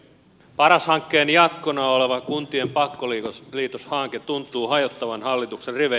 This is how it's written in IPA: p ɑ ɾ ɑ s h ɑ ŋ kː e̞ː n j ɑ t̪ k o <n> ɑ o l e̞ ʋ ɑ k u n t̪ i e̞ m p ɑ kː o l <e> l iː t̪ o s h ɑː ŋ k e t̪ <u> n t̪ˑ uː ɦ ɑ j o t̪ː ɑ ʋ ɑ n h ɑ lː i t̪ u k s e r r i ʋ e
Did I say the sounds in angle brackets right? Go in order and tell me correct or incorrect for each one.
correct, incorrect, correct

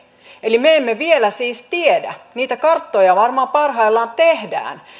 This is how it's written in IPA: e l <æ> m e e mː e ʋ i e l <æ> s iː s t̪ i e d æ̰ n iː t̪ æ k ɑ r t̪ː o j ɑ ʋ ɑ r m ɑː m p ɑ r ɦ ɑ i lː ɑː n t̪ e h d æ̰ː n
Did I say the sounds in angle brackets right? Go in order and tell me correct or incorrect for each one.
incorrect, correct

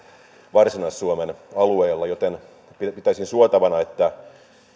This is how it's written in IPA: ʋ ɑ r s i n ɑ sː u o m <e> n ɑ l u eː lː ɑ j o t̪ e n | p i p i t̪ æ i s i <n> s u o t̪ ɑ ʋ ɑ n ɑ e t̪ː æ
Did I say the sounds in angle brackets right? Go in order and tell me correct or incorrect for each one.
correct, correct

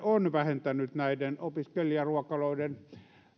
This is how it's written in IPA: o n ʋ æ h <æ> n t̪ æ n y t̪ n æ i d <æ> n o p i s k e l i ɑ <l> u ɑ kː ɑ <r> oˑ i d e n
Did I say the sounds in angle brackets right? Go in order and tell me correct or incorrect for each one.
incorrect, incorrect, incorrect, incorrect

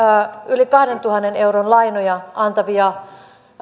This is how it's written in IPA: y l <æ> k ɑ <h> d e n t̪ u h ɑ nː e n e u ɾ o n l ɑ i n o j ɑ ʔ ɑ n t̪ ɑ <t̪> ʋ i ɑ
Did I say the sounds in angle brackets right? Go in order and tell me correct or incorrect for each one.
incorrect, correct, incorrect

